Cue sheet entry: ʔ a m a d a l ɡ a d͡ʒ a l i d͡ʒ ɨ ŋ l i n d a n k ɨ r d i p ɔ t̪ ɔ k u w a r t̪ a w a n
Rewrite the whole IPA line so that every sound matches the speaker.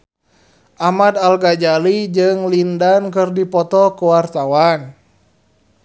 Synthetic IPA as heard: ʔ a m a d a l ɡ a d͡ʒ a l i d͡ʒ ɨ ŋ l i n d a n k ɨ r d i p ɔ t̪ ɔ k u w a r t̪ a w a n